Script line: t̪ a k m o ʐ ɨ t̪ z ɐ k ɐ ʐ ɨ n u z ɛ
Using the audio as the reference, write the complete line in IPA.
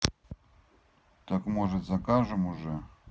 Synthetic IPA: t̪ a k m o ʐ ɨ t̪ z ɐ k a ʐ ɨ m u ʐ ɛ